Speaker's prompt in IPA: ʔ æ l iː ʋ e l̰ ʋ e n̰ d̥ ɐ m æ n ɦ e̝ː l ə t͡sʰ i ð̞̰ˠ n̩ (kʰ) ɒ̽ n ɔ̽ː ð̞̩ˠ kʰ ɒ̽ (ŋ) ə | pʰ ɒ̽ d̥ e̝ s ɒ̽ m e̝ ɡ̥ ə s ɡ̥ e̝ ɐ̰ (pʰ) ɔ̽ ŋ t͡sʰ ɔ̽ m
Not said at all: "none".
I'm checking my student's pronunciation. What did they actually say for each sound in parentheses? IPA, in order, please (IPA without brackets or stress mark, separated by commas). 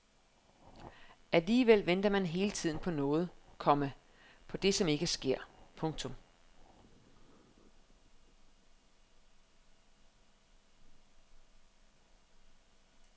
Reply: pʰ, m, pʰ